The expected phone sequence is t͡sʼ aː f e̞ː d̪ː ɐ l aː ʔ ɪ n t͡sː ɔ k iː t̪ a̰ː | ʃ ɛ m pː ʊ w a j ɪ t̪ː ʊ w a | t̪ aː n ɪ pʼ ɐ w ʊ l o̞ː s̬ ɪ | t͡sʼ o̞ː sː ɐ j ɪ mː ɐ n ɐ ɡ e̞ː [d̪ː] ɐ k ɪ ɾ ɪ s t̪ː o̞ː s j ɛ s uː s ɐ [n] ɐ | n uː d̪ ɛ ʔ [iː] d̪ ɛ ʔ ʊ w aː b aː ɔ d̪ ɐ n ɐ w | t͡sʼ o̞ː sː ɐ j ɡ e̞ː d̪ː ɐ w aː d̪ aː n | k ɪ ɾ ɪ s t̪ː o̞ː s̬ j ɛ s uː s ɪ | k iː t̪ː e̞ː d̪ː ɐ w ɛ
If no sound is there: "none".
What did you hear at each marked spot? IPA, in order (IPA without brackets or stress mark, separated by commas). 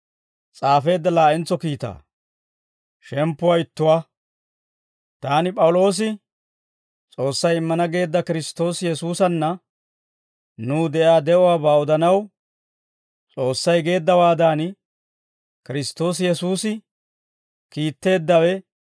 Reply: d̪ː, nː, aː